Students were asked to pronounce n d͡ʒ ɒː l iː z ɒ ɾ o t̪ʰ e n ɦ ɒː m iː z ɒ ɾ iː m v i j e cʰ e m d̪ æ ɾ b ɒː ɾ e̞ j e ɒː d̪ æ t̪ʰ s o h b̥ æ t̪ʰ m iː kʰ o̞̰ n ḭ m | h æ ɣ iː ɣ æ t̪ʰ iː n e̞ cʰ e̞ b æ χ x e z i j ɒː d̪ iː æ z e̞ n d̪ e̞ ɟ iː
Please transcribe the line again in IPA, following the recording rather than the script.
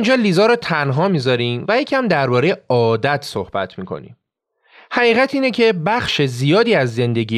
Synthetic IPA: n d͡ʒ ɒː l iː z ɒ ɾ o t̪ʰ æ n ɦ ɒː m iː z ɒ ɾ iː m v æ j e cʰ æ m d̪ æ ɾ b ɒː ɾ e̞ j e ɒː d̪ æ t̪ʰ s o h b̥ æ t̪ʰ m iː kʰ o̞̰ n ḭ m | h æ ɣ iː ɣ æ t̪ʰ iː n e̞ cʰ e̞ b æ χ ʃ e z i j ɒː d̪ iː æ zː e̞ n d̪ e̞ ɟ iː